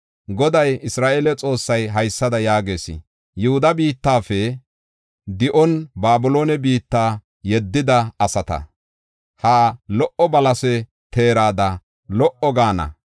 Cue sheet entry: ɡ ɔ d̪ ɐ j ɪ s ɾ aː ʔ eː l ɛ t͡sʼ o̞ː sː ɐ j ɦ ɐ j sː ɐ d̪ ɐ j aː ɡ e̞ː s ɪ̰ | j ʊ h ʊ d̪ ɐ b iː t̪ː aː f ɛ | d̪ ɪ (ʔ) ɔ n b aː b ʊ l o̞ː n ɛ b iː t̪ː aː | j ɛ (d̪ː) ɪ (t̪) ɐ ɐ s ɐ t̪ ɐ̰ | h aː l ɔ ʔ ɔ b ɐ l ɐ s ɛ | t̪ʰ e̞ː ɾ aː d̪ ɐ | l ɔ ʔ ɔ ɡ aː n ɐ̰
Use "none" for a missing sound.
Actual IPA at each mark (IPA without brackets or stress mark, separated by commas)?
ʔ, d̪ː, d̪